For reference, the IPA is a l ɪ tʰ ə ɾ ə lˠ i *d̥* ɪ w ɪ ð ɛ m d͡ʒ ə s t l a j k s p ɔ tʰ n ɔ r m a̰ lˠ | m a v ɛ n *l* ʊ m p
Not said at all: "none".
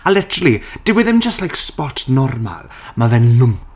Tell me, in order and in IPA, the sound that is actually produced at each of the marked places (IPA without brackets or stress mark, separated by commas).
d̥, l